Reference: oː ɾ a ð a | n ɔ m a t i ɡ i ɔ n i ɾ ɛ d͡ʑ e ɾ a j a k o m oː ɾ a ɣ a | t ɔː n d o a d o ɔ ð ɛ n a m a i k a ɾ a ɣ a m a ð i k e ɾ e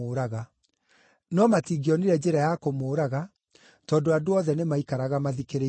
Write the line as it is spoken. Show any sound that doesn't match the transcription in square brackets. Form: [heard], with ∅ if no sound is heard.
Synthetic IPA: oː ɾ a [ɣ] a | n ɔ m a t i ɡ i ɔ n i ɾ ɛ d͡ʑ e ɾ a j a k o m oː ɾ a ɣ a | t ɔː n d o a d o ɔ ð ɛ n [e] m a i k a ɾ a ɣ a m a ð i k e ɾ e

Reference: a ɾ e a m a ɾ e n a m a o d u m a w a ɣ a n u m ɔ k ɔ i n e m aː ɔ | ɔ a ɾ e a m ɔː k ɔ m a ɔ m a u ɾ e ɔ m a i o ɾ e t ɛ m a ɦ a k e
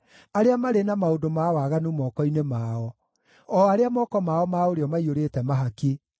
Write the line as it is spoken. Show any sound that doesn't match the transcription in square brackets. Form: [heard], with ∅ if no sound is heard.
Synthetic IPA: a ɾ e a m a ɾ e n a m a o d [o] m a w a ɣ a n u m ɔ k ɔ i n e m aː ɔ | ɔ a ɾ e a m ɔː k ɔ m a ɔ m a [o] ɾ e ɔ m a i o ɾ e t ɛ m a ɦ a k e

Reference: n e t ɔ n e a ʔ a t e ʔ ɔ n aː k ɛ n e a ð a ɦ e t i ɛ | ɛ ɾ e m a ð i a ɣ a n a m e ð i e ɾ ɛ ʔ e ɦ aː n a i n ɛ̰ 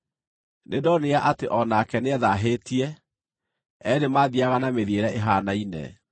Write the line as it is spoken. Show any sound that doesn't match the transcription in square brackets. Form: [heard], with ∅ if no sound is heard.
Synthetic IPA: n e [d] ɔ n e a ʔ a t e ʔ ɔ n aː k ɛ n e [ɛ] ð a ɦ e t i ɛ | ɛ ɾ e m a ð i a ɣ a n a m e ð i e ɾ ɛ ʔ e ɦ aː n a i n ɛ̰

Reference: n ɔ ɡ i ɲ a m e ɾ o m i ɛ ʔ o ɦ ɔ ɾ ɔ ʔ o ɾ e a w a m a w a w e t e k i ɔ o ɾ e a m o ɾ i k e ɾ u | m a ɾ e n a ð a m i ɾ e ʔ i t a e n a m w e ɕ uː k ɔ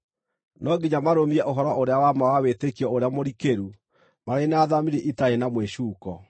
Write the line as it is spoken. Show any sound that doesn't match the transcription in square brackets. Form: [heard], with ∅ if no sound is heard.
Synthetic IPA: n ɔ ɡ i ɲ a m [a] ɾ o m i ɛ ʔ o ɦ ɔ ɾ ɔ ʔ o ɾ e a w a m a w a w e t e k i ɔ o ɾ e a m o ɾ i k e ɾ u | m a ɾ e n a ð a m i ɾ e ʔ i t a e n a m w e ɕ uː k ɔ

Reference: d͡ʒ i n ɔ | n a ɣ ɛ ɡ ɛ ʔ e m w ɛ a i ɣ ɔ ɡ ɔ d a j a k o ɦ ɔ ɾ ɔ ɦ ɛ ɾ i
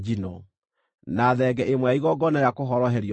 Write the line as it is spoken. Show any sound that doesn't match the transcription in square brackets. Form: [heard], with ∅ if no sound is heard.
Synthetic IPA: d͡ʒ i n ɔ | n a [ð] ɛ ɡ ɛ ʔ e m w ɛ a i ɣ ɔ ɡ ɔ [n] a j a k o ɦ ɔ ɾ ɔ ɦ ɛ ɾ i

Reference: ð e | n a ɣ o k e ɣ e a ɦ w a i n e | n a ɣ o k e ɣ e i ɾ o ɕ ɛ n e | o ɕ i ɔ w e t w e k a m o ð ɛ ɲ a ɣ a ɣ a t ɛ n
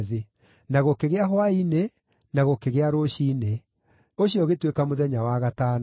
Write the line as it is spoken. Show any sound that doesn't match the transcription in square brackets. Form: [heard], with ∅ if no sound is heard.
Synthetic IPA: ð e | n a ɣ o k e ɣ e a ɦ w a i n e | n a ɣ o k e ɣ e [a] ɾ o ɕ [i] n e | o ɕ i ɔ [ɣ] e t w e k a m o ð ɛ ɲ a [w] a ɣ a t [a] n

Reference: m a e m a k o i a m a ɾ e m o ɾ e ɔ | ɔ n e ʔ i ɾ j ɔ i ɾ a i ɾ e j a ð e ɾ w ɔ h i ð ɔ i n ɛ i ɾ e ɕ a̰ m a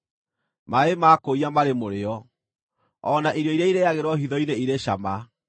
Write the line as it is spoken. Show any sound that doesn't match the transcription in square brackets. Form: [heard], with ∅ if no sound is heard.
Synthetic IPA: m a e m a k o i a m a ɾ e m o ɾ e ɔ | ɔ n [a] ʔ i ɾ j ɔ i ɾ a i ɾ e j a [ɣ] e ɾ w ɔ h i ð ɔ i n [e] i ɾ e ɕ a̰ m a

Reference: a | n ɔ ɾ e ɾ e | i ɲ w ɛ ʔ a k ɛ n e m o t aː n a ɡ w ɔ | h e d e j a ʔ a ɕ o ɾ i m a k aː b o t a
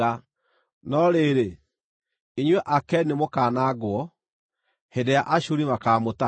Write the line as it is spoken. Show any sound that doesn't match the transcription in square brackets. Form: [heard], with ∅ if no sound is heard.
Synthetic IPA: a | n ɔ ɾ e ɾ e | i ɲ w ɛ ʔ a k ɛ n e m o [k] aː n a ɡ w ɔ | h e d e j a ʔ a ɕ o ɾ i m a k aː [m] o t a

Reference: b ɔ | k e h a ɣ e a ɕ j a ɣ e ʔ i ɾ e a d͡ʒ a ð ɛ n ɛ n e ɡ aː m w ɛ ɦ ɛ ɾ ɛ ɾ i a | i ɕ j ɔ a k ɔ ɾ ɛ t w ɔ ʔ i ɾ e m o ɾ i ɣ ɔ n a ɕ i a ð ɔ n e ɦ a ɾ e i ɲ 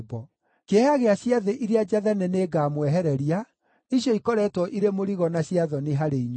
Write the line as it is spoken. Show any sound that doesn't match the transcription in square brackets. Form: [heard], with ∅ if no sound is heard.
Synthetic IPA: b ɔ | k e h a ɣ e a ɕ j a [ð] e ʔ i ɾ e a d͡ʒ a ð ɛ n ɛ n e ɡ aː m w ɛ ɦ ɛ ɾ ɛ ɾ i a | i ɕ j ɔ [i] k ɔ ɾ ɛ t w ɔ ʔ i ɾ e m o ɾ i ɣ ɔ n a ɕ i a ð ɔ n e ɦ a ɾ e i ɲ

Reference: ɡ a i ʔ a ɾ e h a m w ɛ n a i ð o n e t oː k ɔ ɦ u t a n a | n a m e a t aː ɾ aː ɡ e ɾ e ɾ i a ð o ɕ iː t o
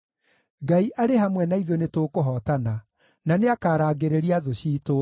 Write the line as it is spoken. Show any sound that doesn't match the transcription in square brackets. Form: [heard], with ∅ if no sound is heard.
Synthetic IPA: ɡ a i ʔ a ɾ e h a m w ɛ n a i ð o n e t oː k [o] ɦ [ɔ] t a n a | n a [n] e a [k] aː ɾ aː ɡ e ɾ e ɾ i a ð o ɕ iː t o

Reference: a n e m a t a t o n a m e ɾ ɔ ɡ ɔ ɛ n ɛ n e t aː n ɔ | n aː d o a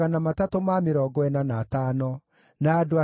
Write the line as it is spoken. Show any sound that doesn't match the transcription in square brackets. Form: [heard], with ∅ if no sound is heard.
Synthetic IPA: a n [a] m a t a t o [m] a m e ɾ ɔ ɡ ɔ ɛ n [a] n [a] t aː n ɔ | n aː d o a

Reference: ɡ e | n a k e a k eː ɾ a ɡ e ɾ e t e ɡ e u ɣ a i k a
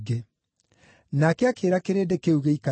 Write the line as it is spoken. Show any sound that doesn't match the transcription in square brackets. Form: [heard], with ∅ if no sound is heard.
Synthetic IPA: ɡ e | n a k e a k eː ɾ a [k] e ɾ e [d] e [k] e u ɣ [e] i k a

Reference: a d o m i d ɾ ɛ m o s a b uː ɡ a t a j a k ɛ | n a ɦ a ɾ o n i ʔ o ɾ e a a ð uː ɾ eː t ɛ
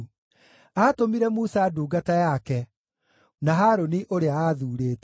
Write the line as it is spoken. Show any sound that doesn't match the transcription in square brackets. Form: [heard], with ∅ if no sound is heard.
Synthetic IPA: a [t] o m i [∅] ɾ ɛ m [u] s a [d] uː ɡ a t a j a k ɛ | n a ɦ a ɾ o n i ʔ o ɾ e a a ð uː ɾ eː t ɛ

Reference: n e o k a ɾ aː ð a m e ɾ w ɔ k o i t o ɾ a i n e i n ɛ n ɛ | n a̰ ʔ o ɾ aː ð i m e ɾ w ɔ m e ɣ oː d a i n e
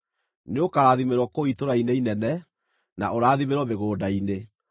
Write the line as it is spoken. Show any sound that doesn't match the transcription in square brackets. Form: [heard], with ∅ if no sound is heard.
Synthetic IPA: n e o k a ɾ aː ð [i] m e ɾ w ɔ k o i t o ɾ a i n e i n ɛ n ɛ | n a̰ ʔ o ɾ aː ð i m e ɾ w ɔ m e ɣ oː d a i n e

